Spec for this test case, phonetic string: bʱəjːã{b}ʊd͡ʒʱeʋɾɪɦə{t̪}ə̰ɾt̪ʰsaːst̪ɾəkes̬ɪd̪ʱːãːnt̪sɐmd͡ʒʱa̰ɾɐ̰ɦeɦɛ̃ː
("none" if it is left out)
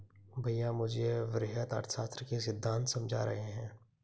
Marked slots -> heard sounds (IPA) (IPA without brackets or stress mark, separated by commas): m, t̪